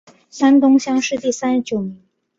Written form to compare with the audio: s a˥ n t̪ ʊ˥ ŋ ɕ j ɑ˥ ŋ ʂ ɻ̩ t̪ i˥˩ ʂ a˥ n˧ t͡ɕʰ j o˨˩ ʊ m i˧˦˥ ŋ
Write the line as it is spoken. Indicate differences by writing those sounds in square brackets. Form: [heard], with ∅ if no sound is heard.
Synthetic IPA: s a˥ n t̪ ʊ˥ ŋ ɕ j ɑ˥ ŋ ʂ ɻ̩ t̪ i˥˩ [s] a˥ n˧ [t͡ɕ] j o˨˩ ʊ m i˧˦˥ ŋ

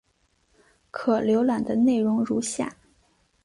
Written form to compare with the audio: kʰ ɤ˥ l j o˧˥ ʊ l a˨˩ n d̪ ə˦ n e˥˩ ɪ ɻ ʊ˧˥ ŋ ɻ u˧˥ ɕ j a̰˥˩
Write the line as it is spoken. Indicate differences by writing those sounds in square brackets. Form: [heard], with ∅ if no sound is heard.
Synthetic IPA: kʰ [ɤ˨˩] l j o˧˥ ʊ l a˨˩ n d̪ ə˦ n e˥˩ ɪ ɻ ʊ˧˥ ŋ ɻ u˧˥ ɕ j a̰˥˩

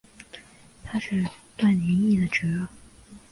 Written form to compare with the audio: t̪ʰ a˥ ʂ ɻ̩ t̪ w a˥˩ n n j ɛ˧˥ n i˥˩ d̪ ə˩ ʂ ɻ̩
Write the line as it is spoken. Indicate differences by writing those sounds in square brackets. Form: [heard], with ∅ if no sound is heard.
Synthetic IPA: t̪ʰ a˥ ʂ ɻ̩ t̪ w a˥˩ n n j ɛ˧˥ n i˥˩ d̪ ə˩ [ʈ͡ʂ] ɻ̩

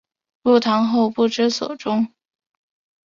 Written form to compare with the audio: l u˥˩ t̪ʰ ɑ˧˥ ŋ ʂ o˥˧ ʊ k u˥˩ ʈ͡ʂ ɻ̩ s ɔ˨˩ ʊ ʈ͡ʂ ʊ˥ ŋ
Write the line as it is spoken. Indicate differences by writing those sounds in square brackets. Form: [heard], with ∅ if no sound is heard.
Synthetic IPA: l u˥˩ t̪ʰ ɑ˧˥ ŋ [x] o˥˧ ʊ [p] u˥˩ ʈ͡ʂ ɻ̩ s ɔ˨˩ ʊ ʈ͡ʂ ʊ˥ ŋ

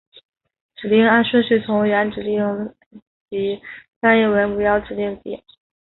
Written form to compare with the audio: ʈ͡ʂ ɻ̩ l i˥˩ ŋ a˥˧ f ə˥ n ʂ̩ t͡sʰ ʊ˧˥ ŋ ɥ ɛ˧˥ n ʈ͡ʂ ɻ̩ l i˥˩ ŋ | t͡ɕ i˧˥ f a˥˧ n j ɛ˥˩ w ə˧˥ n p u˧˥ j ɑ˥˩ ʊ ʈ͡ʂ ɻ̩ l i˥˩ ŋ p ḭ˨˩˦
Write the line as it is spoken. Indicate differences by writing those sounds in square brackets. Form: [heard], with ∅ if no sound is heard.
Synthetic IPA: ʈ͡ʂ ɻ̩ l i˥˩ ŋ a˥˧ [ʂ] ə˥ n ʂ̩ t͡sʰ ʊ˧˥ ŋ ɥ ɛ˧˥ n ʈ͡ʂ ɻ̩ l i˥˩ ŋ | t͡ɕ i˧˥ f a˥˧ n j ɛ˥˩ w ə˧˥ n p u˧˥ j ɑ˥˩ ʊ ʈ͡ʂ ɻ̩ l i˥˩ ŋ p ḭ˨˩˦

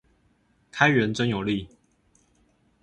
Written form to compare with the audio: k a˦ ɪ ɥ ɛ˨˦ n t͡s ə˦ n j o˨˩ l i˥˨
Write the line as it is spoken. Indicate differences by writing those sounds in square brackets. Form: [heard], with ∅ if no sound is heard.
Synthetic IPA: [kʰ] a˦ ɪ ɥ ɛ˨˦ n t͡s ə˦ n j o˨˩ l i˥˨

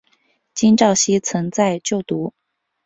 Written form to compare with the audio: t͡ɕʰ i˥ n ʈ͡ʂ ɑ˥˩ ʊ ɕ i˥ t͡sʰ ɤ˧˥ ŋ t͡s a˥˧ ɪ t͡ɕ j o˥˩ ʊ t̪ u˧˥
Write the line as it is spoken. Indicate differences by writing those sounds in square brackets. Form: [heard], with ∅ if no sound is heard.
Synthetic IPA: [t͡ɕ] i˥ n ʈ͡ʂ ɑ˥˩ ʊ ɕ i˥ t͡sʰ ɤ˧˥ ŋ t͡s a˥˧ ɪ t͡ɕ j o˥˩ ʊ t̪ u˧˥

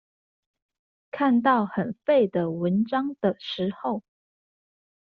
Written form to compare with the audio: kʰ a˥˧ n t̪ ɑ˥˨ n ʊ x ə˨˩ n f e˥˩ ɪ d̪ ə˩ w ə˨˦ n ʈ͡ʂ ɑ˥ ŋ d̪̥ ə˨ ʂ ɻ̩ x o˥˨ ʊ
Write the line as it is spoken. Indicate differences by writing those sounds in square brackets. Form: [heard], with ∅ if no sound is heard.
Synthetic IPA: kʰ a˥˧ n t̪ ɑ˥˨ [∅] ʊ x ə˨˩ n f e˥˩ ɪ d̪ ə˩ w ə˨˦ n ʈ͡ʂ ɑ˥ ŋ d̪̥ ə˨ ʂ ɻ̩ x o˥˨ ʊ

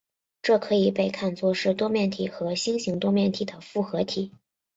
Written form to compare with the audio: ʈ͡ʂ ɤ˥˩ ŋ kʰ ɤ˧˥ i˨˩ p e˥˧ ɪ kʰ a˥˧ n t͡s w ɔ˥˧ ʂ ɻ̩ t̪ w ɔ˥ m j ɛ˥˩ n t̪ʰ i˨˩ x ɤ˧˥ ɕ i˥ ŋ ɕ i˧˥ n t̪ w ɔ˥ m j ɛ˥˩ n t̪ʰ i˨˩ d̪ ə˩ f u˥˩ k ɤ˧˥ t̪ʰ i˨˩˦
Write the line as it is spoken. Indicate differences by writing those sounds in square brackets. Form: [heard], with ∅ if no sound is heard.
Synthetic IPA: ʈ͡ʂ ɤ˥˩ [∅] kʰ ɤ˧˥ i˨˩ p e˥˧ ɪ kʰ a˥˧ n t͡s w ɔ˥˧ ʂ ɻ̩ t̪ w ɔ˥ m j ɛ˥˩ n t̪ʰ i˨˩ x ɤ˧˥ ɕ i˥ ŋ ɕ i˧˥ [ŋ] t̪ w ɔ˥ m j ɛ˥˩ n t̪ʰ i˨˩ d̪ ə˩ f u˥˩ [x] ɤ˧˥ t̪ʰ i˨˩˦

